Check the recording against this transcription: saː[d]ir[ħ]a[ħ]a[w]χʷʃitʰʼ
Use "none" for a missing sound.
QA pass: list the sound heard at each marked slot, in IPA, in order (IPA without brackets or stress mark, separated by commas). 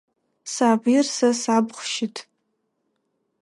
b, s, s, b